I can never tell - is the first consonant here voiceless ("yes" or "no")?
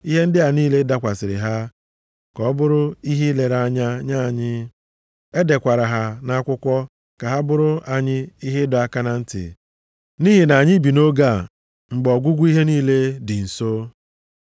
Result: no